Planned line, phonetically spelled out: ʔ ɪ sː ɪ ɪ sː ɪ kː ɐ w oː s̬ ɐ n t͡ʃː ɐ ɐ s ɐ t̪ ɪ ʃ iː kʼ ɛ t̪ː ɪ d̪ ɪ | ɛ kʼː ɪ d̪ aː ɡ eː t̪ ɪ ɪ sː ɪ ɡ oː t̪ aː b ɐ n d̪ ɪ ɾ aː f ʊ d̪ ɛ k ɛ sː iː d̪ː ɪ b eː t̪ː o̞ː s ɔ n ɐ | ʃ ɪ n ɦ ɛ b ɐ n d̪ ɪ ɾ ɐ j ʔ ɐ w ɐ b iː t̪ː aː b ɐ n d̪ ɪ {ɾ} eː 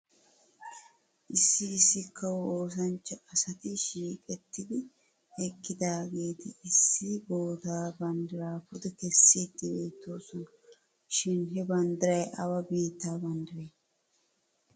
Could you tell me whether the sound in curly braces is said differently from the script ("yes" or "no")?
no